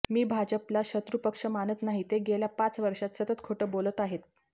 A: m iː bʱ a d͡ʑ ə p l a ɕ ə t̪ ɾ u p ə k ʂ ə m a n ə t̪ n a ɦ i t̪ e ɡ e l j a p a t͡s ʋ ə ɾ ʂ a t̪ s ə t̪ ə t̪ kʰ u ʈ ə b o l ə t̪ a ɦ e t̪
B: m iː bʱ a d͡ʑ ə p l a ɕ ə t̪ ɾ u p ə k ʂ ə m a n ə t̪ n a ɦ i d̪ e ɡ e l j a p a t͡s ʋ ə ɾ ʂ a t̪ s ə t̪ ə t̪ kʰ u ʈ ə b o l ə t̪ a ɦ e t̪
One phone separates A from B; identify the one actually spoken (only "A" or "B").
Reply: A